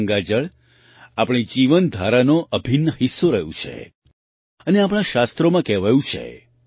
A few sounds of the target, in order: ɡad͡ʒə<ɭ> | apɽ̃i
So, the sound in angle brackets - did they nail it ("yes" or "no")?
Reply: yes